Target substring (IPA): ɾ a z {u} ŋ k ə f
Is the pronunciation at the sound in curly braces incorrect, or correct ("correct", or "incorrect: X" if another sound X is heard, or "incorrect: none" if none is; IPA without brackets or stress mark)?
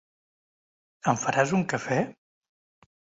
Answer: correct